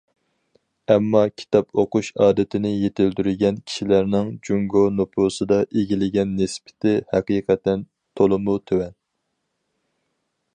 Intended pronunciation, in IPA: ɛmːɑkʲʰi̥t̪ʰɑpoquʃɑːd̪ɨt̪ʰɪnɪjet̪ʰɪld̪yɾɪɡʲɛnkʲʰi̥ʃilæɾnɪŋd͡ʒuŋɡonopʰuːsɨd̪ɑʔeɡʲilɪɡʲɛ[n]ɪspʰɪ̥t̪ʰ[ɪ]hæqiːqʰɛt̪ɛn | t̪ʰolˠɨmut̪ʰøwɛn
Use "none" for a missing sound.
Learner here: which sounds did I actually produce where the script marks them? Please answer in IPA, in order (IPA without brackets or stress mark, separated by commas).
nː, ɪ